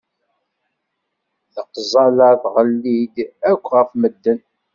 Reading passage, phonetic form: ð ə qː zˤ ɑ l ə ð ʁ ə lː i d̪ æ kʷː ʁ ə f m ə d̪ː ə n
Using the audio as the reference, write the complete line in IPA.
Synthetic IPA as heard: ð ə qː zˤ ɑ l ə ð ʁ ə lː i d̪ æ kʷː ʁ ə f m ə d̪ː ə n